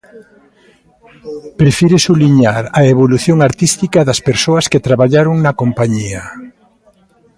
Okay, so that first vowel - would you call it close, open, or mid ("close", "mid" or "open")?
mid